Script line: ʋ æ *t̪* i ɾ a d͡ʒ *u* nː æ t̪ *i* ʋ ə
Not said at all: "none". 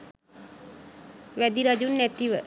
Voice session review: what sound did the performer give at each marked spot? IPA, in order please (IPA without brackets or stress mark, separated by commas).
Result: d̪, u, i